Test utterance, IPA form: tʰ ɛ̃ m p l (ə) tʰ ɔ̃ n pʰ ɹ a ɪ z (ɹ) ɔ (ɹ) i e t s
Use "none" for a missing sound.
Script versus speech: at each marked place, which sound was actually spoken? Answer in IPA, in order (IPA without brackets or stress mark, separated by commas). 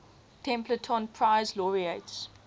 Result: ə, l, ɹ